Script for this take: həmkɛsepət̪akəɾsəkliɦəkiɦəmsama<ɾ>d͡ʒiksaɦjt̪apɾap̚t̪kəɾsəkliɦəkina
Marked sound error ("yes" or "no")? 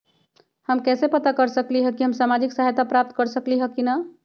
yes